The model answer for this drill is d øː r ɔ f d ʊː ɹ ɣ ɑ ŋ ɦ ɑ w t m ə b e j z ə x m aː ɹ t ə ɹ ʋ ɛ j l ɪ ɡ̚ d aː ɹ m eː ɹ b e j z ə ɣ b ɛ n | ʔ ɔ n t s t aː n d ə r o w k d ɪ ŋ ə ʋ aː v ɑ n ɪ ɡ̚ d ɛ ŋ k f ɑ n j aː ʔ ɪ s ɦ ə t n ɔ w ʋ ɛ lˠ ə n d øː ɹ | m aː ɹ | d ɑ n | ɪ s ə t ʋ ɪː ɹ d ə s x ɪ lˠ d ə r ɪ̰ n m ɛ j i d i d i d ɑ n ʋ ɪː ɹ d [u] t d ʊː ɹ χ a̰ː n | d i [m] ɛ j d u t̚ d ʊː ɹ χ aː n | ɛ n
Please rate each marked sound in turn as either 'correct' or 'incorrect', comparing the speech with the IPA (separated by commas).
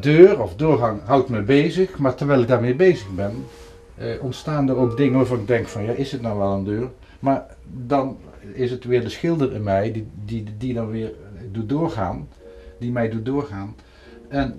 correct, correct